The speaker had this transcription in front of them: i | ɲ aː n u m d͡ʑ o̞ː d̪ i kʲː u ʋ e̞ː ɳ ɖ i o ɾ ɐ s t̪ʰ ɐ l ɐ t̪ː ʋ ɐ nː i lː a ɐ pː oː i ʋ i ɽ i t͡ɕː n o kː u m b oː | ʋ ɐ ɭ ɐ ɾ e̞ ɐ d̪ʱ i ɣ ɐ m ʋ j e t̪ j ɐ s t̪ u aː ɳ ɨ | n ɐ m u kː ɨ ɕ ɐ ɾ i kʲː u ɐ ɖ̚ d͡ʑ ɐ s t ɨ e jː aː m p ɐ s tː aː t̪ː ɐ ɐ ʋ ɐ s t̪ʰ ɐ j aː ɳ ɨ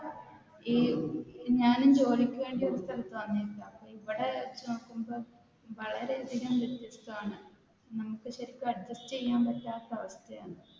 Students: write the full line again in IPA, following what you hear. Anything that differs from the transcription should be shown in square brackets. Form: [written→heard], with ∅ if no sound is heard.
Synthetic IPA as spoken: i | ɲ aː n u m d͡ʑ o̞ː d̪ i kʲː u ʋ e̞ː ɳ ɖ i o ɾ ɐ s t̪ʰ ɐ l ɐ t̪ː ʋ ɐ nː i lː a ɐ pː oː i ʋ i ɽ [i→e] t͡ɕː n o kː u m b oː | ʋ ɐ ɭ ɐ ɾ e̞ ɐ d̪ʱ i ɣ ɐ m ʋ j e t̪ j ɐ s t̪ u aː ɳ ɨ | n ɐ m u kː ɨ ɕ ɐ ɾ i kʲː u ɐ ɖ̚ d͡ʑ ɐ s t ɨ e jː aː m p ɐ [s→∅] tː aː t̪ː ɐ ɐ ʋ ɐ s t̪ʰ ɐ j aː ɳ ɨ